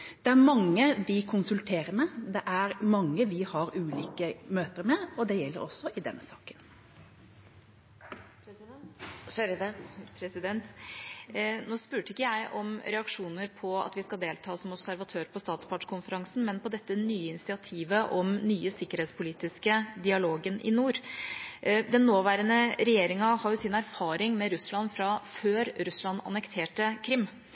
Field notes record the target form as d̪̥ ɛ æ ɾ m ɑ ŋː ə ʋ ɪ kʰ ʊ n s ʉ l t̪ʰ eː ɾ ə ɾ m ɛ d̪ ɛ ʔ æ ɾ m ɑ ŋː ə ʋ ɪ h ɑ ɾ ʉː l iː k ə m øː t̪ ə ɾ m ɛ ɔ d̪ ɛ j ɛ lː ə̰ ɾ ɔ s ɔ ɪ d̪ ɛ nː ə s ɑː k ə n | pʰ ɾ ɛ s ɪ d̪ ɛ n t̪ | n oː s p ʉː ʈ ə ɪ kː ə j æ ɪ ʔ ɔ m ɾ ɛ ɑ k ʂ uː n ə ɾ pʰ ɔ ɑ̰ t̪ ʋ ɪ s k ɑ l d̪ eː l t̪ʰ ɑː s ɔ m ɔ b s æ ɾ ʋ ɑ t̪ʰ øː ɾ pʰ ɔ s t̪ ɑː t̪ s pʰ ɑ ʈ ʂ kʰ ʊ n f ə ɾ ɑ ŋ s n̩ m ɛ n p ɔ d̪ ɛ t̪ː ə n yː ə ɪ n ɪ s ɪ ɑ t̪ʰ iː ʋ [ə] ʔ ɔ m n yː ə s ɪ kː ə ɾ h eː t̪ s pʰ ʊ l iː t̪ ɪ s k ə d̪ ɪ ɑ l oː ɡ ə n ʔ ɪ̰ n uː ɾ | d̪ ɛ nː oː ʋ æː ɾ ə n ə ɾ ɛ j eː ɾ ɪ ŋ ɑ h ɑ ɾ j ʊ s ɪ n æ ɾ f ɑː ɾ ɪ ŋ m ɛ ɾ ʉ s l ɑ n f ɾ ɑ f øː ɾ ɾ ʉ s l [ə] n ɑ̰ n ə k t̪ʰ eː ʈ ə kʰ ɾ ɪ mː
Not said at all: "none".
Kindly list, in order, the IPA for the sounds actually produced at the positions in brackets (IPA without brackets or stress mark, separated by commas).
ə, ɑ